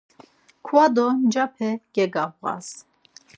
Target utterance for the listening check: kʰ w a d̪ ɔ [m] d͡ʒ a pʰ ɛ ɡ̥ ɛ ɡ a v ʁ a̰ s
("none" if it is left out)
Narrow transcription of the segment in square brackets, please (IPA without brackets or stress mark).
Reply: n